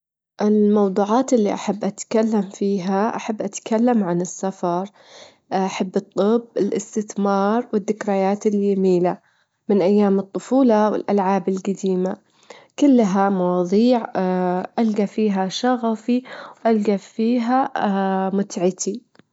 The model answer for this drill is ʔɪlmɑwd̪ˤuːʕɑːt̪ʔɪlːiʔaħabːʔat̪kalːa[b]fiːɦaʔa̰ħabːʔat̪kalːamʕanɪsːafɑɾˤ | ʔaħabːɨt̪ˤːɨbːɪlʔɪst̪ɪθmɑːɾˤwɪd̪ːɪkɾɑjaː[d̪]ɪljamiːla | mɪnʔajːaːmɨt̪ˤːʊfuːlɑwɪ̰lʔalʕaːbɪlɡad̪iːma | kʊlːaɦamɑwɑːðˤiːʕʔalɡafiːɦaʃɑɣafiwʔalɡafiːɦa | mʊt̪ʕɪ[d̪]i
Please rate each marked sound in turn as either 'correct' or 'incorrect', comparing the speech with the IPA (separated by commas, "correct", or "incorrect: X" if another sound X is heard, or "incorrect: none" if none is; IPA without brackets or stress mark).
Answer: incorrect: m, incorrect: t̪, incorrect: t̪